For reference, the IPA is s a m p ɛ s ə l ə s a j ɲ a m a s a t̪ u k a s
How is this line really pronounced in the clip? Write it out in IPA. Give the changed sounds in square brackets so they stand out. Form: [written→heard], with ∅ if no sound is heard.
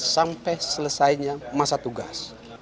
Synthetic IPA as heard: s a m p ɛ s ə l ə s a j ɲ a m a s a t̪ u [k→ɡ] a s